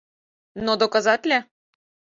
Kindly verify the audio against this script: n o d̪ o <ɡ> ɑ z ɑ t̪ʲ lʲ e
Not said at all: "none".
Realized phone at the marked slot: k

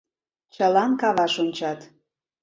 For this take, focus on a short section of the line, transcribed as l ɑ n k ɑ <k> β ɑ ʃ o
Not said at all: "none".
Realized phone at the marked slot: none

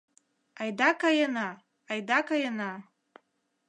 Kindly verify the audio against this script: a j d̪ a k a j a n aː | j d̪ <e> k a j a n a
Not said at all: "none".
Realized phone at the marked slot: a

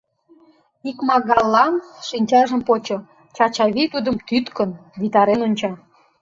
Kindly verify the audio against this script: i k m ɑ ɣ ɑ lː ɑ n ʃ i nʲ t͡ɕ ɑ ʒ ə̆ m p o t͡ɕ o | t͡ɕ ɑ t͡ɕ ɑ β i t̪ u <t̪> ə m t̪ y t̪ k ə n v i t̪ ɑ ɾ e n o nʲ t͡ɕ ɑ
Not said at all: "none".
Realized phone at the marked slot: d̪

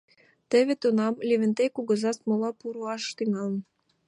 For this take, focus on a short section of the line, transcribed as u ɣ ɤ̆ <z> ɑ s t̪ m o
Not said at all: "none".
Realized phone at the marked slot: z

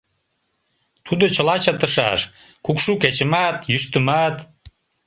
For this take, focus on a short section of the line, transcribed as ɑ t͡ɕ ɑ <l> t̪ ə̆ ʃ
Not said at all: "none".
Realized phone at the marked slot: none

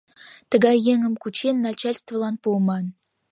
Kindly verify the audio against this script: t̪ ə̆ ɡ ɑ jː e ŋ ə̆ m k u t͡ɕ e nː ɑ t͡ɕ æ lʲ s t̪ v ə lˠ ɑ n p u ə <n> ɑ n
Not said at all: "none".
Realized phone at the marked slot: m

